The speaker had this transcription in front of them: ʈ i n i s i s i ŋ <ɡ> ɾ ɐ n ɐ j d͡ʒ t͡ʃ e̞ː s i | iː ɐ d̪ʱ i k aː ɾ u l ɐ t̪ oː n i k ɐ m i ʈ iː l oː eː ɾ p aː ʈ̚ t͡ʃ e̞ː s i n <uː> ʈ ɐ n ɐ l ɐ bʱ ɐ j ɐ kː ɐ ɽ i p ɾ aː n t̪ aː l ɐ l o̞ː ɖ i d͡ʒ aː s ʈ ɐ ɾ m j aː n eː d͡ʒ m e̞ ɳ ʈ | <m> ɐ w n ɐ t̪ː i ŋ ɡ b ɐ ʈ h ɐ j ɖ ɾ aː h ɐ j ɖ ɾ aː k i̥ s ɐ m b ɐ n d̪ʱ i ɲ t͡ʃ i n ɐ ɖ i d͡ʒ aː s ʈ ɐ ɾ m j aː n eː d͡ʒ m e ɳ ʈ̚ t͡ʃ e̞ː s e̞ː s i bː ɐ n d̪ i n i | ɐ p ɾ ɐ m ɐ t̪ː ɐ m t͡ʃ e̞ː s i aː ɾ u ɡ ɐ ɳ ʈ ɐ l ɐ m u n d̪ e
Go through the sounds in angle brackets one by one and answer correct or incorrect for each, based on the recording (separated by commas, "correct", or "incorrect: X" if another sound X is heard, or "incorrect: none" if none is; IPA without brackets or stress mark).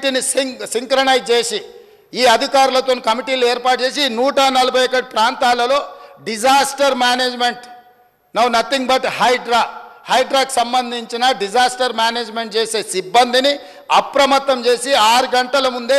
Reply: incorrect: k, correct, incorrect: n